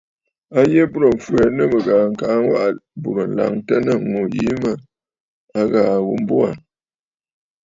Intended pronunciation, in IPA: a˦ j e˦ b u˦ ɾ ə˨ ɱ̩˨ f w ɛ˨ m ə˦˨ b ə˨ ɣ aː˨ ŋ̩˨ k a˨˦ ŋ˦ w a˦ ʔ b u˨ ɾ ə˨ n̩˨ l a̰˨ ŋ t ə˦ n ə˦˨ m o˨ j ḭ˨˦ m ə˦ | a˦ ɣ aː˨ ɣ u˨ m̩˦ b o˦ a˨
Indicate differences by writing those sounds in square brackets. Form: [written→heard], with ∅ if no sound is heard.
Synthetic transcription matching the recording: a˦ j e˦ b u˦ ɾ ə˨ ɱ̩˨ f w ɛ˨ [m→n] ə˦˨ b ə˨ ɣ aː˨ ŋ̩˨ k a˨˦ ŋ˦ w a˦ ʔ b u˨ ɾ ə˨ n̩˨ l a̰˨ ŋ t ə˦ n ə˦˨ [m→ŋ] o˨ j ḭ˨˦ m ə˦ | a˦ ɣ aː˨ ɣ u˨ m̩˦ b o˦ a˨